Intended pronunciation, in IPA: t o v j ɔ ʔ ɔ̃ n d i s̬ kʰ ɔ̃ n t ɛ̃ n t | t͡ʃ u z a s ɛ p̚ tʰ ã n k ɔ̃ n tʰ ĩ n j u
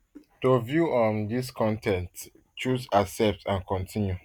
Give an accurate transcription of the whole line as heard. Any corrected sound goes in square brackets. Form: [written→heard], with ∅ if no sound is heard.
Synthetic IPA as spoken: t o v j [ɔ→u] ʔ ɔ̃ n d i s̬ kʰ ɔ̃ n t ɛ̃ n t | t͡ʃ u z a s ɛ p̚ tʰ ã n k ɔ̃ n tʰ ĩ n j u

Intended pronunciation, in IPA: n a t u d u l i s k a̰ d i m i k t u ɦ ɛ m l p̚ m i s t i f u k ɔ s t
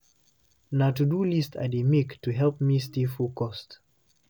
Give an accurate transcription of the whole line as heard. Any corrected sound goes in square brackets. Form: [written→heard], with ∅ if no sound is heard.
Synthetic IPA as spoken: n a t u d u l i s [k→t] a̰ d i m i k t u ɦ ɛ [m→∅] l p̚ m i s t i f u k ɔ s t

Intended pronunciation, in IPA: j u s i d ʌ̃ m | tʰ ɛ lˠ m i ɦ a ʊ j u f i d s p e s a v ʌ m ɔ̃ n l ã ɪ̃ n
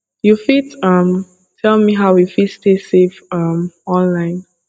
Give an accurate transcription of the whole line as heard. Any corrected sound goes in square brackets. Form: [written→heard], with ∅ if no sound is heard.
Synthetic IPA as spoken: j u [s→f] i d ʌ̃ m | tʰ ɛ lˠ m i ɦ a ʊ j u f i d s [p→t] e s [a→e] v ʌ m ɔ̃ n l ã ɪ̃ n

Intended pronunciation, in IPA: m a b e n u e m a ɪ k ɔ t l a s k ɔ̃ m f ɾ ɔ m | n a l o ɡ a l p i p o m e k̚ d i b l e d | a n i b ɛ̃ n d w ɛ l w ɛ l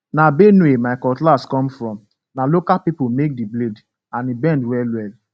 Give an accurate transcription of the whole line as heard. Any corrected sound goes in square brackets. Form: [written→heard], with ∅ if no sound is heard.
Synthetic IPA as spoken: [m→n] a b e n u e m a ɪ k ɔ t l a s k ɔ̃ m f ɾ ɔ m | n a l o [ɡ→k] a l p i p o m e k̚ d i b l e d | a n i b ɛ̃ n d w ɛ l w ɛ l

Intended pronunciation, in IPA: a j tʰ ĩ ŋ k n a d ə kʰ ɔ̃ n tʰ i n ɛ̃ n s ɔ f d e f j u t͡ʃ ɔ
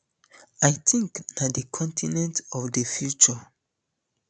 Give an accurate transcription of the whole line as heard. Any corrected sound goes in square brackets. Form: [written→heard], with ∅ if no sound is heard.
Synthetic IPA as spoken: a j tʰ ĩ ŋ k n a d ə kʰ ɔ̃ n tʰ i n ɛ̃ n [s→t] ɔ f d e f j u t͡ʃ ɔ

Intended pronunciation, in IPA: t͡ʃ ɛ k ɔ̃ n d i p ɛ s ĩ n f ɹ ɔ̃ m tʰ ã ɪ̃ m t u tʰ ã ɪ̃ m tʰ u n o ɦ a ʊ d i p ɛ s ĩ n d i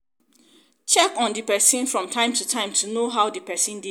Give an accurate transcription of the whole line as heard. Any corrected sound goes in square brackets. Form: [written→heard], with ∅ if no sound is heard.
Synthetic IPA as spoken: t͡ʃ ɛ k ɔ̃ n d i p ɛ s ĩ n f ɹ ɔ̃ m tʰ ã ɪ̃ m t u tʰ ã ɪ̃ m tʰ u n o ɦ a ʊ d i p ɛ s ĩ n d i

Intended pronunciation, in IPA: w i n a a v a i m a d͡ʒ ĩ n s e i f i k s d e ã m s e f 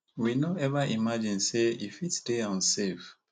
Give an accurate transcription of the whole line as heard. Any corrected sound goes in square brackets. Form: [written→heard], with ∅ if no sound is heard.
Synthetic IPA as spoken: w i n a [a→ɛ] v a i m a d͡ʒ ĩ n s e i f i [k→t] s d e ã [m→n] s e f

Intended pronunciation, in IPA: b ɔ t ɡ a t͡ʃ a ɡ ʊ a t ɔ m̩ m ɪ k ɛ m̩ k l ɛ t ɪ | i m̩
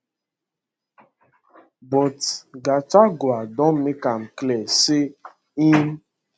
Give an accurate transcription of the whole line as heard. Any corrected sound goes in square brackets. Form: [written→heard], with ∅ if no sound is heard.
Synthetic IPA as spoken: b ɔ t ɡ a t͡ʃ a ɡ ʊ a [t→d] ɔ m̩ m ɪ k [ɛ→a] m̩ k l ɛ [t→s] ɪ | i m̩

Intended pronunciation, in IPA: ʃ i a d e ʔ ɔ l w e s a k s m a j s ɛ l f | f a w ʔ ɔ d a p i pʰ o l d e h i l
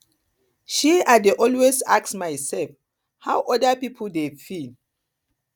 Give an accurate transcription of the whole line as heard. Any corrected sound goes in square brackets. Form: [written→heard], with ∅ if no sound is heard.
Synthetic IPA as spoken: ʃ i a d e ʔ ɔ l w e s a k s m a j s ɛ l f | [f→h] a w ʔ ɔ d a p i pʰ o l d e [h→f] i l

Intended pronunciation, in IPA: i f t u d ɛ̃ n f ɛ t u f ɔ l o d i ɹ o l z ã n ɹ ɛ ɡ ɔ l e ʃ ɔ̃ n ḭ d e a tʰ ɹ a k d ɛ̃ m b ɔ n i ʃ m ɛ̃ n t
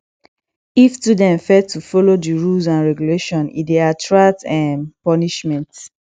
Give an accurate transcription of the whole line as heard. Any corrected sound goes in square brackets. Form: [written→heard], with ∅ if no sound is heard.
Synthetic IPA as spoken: i f t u d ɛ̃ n f ɛ t u f ɔ l o d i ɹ [o→u] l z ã n ɹ ɛ ɡ [ɔ→u] l e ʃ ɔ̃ n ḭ d e a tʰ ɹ a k [d→t] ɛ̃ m [b→p] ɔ n i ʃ m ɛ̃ n t

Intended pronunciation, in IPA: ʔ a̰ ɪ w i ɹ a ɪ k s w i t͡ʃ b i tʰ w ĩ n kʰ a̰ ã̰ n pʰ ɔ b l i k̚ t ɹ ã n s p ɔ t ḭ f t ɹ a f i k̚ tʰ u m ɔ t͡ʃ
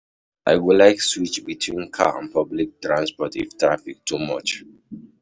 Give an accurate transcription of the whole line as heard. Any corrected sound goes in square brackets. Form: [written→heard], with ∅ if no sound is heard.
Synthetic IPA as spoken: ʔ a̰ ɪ w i [ɹ→l] a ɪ k s w i t͡ʃ b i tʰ w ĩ n kʰ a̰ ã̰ n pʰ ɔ b l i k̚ t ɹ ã n s p ɔ t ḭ f t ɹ a f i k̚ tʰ u m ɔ t͡ʃ

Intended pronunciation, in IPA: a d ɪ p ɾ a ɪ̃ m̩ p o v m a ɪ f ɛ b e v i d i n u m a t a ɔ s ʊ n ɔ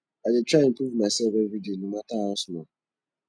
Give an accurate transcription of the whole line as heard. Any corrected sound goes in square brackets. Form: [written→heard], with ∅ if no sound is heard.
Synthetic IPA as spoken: a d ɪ [p→t] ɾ a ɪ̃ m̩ p [o→u] v m a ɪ [f→s] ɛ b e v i d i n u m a t a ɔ s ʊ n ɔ

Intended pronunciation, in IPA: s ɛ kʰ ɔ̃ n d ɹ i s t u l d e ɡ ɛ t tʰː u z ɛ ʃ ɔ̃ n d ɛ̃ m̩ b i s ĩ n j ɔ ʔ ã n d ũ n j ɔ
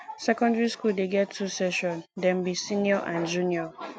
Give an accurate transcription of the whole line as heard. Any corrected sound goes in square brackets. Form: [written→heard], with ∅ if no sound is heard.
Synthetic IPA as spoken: s ɛ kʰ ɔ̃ n d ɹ i s [t→k] u l d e ɡ ɛ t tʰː u [z→s] ɛ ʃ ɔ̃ n d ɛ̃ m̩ b i s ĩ n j ɔ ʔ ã n [d→d͡ʒ] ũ n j ɔ

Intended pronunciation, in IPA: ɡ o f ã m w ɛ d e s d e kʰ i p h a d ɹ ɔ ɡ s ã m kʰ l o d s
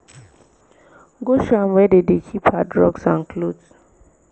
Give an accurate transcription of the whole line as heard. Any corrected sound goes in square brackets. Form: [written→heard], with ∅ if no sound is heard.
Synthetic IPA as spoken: ɡ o [f→ʃ] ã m w ɛ d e [s→∅] d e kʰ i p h a d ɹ ɔ ɡ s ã [m→n] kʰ l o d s

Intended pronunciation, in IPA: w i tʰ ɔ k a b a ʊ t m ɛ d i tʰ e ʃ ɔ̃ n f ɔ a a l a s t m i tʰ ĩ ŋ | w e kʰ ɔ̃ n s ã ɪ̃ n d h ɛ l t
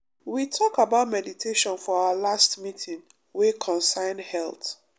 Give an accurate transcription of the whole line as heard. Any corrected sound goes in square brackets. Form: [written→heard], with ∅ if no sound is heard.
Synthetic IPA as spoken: w i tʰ ɔ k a b a ʊ t m ɛ d i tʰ e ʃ ɔ̃ n f ɔ a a l a s t m i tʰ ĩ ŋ | w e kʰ ɔ̃ n s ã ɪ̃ n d h ɛ l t

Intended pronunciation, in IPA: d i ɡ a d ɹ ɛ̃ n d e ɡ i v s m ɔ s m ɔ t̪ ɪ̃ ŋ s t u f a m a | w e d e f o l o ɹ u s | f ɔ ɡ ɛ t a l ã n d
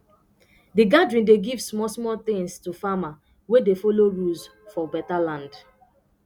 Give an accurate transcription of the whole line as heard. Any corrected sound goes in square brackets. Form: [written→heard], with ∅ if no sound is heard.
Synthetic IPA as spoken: d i ɡ a d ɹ [ɛ̃→ĩ] n d e ɡ i v s m ɔ s m ɔ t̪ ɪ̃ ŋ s t u f a m a | w e d e f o l o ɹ u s | f ɔ [ɡ→b] ɛ t a l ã n d

